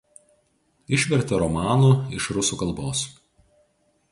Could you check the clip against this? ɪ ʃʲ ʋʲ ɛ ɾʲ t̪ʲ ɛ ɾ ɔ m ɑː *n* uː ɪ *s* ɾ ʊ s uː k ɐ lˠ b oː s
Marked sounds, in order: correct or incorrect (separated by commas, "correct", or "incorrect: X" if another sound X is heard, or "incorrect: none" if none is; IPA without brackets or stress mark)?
correct, incorrect: ʃ